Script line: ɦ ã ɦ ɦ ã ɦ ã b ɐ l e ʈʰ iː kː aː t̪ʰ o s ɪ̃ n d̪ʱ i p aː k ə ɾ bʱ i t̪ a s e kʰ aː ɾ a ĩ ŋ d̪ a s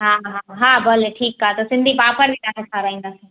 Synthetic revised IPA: ɦ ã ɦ ɦ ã ɦ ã b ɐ l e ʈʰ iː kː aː t̪ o s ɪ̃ n d̪ʱ i p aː p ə ɾ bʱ i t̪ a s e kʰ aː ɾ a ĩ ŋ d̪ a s